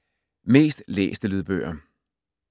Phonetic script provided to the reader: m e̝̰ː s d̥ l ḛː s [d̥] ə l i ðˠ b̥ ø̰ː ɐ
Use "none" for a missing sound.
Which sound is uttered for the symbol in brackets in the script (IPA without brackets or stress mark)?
d̥